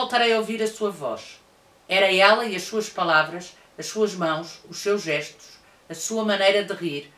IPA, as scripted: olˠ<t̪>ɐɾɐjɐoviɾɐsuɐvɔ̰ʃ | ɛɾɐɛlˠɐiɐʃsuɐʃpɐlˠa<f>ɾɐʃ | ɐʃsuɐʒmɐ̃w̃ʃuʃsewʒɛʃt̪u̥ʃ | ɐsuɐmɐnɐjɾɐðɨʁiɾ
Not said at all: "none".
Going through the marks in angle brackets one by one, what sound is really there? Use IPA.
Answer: t̪, v

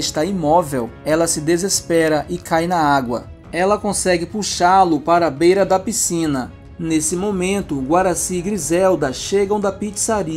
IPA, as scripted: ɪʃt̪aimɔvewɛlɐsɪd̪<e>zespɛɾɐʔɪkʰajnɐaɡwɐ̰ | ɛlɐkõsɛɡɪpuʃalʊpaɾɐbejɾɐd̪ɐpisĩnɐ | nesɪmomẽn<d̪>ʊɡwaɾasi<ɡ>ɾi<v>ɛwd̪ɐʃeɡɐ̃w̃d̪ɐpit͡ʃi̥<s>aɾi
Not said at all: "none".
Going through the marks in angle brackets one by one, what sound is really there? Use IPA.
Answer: e, t̪, ɡ, z, s

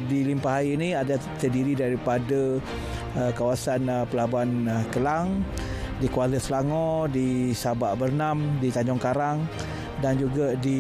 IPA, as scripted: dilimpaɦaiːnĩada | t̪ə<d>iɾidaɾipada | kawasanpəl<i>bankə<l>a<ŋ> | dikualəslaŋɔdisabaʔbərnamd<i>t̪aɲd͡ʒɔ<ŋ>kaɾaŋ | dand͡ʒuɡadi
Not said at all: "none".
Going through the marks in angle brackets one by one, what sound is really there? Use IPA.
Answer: d, a, l, ŋ, i, ŋ

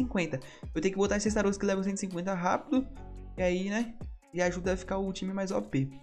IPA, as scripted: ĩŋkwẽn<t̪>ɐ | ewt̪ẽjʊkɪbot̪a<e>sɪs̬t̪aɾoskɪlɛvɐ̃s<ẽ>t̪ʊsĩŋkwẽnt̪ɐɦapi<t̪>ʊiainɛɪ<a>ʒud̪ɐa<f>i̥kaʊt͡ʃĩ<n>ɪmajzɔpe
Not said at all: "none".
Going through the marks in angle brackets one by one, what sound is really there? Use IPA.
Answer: t̪, e, ẽ, d̪, a, f, m

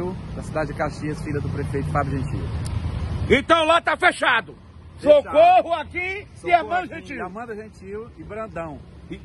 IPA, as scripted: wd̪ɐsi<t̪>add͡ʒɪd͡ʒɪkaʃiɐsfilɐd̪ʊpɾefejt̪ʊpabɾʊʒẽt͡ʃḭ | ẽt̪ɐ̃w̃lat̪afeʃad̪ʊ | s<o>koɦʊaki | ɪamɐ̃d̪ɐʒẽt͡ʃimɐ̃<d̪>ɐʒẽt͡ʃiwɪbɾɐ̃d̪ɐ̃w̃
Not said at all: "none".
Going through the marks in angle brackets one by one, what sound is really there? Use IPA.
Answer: d̪, o, d̪

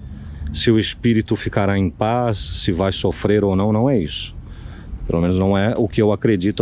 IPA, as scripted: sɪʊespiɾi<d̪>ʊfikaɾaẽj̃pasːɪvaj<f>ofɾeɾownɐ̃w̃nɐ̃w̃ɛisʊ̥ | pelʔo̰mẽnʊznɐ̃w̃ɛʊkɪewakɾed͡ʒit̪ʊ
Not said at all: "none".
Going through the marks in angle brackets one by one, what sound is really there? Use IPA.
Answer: t̪, s

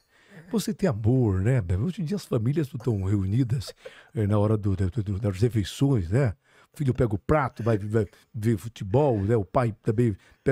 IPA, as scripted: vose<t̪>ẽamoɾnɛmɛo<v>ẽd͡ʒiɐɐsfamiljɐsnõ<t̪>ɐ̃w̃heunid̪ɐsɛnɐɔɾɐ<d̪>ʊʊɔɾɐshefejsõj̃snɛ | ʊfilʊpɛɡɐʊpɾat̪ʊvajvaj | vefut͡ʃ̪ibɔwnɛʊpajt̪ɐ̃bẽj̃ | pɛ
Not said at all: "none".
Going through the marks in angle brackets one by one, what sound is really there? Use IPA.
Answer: t̪, ʒ, t̪, d̪

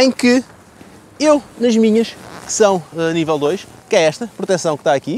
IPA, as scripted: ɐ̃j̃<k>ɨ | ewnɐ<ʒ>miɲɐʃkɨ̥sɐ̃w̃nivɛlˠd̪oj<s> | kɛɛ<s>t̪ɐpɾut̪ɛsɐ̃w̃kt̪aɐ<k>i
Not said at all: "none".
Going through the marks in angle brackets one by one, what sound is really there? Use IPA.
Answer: k, ʒ, ʃ, ʃ, k

